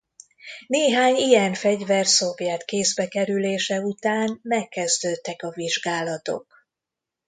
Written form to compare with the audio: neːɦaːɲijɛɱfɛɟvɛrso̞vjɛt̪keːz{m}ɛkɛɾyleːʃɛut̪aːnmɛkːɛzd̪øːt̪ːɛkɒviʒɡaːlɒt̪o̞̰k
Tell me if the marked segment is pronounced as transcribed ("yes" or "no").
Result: no